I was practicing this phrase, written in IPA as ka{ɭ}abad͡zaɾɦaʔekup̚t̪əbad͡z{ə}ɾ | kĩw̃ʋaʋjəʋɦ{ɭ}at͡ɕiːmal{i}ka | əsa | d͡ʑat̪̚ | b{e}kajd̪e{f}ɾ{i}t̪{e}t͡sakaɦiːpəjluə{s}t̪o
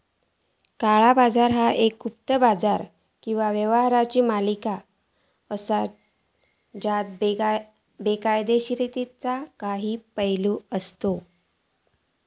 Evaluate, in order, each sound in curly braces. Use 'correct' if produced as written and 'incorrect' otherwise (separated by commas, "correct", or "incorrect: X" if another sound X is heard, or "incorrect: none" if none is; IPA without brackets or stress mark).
correct, incorrect: a, incorrect: ɾ, correct, correct, incorrect: ɕ, correct, incorrect: i, correct